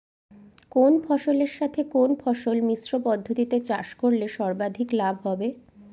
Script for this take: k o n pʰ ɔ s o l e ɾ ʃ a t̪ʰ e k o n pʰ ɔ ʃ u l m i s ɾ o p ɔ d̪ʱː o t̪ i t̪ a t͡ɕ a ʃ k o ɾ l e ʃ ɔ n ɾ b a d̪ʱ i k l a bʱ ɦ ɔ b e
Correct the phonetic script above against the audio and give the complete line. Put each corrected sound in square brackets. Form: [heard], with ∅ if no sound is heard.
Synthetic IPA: k o n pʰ ɔ [ʃ] o l e ɾ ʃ a t̪ʰ e k o n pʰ ɔ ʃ [o] l m i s ɾ o p ɔ d̪ʱː o t̪ i t̪ [e] t͡ɕ a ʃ k o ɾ l e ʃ ɔ [∅] ɾ b a d̪ʱ i k l a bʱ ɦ ɔ b e